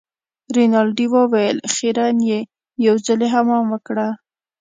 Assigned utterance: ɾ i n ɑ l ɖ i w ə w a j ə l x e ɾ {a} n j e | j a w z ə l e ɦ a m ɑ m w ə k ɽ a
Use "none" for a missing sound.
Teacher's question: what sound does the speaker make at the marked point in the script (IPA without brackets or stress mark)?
a